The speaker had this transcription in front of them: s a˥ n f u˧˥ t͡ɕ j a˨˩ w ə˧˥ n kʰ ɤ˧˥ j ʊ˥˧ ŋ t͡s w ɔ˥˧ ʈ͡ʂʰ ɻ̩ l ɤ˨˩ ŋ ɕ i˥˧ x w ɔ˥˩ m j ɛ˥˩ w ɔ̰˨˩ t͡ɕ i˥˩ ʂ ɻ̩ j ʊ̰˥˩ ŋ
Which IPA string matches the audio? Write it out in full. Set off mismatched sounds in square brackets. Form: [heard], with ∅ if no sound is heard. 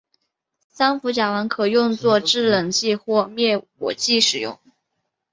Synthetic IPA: s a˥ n f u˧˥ t͡ɕ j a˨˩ w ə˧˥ n kʰ [ɤ˨˩] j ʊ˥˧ ŋ t͡s w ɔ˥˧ [ʈ͡ʂ] ɻ̩ l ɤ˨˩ ŋ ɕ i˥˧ x w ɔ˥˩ m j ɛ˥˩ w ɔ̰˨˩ t͡ɕ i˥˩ ʂ ɻ̩ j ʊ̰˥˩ ŋ